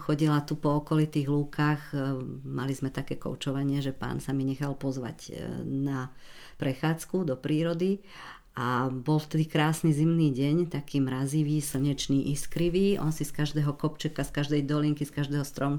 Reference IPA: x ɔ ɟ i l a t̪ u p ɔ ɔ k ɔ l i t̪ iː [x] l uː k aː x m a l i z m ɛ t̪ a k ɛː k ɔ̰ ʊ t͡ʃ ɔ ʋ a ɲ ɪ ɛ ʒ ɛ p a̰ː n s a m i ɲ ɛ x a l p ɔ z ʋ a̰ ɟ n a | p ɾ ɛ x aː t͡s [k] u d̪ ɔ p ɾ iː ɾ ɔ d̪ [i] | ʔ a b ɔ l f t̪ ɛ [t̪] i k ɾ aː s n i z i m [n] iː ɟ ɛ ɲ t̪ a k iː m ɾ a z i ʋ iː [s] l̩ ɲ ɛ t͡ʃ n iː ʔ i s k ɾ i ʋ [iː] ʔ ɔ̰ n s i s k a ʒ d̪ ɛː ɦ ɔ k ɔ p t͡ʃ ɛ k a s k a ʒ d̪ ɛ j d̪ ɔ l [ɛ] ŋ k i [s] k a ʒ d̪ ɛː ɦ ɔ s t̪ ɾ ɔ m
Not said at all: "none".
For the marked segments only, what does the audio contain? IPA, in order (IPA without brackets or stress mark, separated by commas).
ɣ, k, i, d̪, n, s, iː, i, s